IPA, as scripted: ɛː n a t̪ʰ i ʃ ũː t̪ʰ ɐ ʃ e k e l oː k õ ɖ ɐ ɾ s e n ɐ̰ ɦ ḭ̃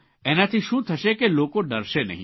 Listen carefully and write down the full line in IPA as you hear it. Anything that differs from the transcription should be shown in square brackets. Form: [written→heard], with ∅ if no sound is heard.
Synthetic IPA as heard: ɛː n a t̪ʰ i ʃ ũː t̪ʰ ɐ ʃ e k e l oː k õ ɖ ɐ ɾ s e n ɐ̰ ɦ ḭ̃